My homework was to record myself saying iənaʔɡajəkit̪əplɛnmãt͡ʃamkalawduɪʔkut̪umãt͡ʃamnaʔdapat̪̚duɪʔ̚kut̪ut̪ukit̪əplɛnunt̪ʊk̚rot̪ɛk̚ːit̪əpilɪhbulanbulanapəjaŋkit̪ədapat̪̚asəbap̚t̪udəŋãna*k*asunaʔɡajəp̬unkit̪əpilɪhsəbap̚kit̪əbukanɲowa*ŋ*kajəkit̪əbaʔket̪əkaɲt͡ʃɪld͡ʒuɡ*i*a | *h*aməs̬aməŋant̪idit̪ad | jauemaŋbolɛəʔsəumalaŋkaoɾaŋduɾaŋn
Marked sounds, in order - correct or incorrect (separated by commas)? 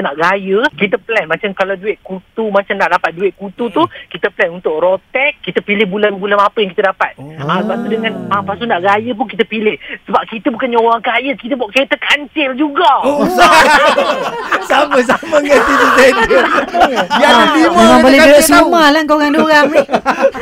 incorrect, correct, incorrect, incorrect